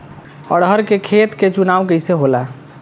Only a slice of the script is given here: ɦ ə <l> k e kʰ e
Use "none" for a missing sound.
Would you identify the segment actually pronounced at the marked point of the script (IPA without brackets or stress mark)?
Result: ɾ